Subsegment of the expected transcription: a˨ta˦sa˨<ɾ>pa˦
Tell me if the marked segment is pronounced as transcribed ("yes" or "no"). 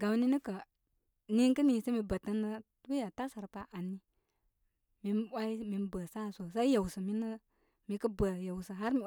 yes